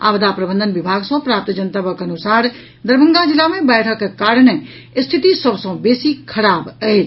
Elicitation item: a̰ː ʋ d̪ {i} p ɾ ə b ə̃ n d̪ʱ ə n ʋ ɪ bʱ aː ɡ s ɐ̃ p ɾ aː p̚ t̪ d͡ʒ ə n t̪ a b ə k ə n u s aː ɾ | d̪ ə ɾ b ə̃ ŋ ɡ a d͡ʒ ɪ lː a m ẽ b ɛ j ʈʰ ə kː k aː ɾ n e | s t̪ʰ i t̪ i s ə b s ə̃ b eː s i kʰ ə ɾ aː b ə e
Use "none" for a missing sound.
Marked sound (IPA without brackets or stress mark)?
a